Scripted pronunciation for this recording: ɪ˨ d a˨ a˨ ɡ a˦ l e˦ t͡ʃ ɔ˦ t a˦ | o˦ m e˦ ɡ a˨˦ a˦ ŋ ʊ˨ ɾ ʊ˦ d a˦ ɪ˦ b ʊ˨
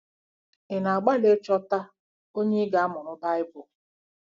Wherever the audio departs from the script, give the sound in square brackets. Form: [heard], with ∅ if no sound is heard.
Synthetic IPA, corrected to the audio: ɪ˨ [n] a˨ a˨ [ɡ͡b] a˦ l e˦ t͡ʃ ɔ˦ t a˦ | o˦ [ɲ] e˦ ɡ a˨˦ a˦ [m] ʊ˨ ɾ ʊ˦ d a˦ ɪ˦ b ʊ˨